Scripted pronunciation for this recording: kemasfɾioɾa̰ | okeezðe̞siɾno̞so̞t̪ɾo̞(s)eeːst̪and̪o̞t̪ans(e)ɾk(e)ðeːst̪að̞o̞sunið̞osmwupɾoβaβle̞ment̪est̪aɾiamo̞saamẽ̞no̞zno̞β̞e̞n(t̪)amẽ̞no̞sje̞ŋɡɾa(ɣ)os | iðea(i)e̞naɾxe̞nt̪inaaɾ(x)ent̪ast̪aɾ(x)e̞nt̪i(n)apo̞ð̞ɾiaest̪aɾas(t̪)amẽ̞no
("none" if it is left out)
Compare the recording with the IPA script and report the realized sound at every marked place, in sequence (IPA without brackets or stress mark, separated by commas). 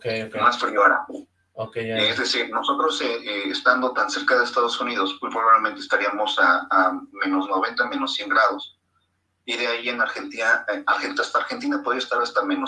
s, e, a, t̪, ð, i, x, x, n, t̪